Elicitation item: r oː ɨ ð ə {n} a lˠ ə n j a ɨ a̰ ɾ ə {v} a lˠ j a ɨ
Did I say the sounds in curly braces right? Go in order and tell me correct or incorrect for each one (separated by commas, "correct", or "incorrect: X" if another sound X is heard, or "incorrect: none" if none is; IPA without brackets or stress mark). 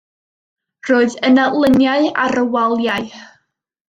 correct, incorrect: w